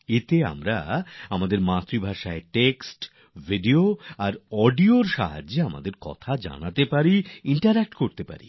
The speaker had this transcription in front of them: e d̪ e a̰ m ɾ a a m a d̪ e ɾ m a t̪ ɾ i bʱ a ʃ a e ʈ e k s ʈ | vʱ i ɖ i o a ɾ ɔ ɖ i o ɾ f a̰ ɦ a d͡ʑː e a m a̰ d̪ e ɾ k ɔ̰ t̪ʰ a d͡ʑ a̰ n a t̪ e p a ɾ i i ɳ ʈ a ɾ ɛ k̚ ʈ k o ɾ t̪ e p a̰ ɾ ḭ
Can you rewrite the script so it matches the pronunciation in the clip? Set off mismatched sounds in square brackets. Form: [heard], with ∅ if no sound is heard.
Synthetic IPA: e [t̪] e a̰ m ɾ a a m a d̪ e ɾ m a t̪ ɾ i bʱ a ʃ a e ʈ e k s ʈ | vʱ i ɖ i o a ɾ ɔ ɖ i o ɾ [ʃ] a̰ ɦ a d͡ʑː e a m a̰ d̪ e ɾ k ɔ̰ t̪ʰ a d͡ʑ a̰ n a t̪ e p a ɾ i i ɳ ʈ a ɾ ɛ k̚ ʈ k o ɾ t̪ e p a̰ ɾ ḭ